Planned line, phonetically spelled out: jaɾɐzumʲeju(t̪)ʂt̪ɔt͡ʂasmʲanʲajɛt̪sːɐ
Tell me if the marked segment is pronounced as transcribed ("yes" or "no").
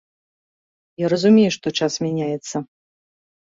no